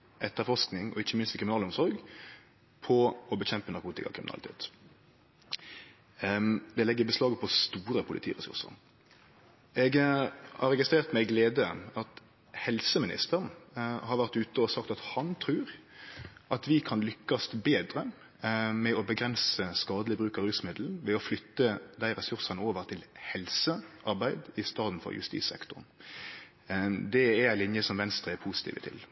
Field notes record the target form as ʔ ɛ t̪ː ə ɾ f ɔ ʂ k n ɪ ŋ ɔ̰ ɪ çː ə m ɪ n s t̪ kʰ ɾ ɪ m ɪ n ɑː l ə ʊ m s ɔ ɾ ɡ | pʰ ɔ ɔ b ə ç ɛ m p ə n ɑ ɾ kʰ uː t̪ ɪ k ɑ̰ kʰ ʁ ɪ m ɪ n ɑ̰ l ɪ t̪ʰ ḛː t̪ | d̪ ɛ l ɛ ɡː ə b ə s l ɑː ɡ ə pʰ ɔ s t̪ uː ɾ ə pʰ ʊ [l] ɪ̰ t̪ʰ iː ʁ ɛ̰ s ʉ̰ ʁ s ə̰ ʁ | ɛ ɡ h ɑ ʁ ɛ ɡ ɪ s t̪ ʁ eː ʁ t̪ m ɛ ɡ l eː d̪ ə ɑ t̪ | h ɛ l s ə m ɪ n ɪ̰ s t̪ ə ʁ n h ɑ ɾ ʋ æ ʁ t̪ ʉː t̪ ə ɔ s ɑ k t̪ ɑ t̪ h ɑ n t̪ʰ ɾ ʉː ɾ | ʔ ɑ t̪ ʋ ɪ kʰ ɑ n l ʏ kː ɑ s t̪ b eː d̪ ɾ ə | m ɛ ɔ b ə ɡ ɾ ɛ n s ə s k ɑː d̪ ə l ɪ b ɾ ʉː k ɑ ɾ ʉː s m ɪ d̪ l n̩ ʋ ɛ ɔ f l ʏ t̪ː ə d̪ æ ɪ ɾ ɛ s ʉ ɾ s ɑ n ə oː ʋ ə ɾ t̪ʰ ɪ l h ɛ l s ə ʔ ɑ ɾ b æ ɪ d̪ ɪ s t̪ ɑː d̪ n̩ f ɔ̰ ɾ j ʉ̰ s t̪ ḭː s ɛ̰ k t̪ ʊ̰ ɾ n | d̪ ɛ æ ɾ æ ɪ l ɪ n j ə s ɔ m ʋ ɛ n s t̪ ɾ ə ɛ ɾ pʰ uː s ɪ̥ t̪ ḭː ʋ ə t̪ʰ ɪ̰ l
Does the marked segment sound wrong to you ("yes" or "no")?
no